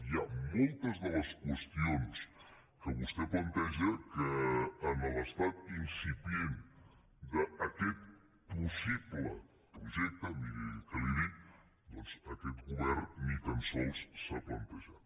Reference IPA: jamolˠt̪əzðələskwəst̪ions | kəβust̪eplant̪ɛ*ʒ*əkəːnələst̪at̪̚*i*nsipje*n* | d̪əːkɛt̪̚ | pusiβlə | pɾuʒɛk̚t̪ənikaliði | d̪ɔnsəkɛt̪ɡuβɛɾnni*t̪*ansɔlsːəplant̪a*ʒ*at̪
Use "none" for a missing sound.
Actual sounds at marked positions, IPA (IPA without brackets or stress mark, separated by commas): ʒ, i, n, t̪, ʒ